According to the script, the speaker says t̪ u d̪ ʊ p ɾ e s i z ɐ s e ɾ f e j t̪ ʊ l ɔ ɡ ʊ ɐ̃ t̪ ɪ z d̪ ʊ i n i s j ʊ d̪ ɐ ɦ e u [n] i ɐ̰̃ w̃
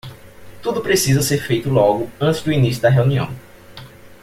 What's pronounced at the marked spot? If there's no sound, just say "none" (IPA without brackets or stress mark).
n